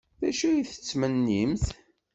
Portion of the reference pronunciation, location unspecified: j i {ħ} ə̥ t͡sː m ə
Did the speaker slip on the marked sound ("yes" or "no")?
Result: yes